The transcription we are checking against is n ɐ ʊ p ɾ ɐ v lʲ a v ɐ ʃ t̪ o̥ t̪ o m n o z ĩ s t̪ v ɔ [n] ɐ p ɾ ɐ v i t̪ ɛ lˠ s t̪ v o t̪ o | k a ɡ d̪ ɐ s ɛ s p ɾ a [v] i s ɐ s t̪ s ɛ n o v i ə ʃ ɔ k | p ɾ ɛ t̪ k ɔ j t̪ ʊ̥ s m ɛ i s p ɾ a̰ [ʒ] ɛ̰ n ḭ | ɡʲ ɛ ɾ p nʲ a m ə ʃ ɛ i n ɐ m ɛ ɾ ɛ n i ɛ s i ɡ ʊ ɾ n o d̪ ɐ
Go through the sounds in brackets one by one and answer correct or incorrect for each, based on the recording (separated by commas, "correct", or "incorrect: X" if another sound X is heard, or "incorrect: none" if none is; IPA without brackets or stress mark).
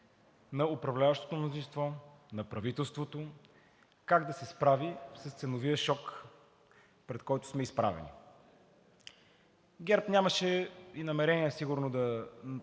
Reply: correct, correct, incorrect: v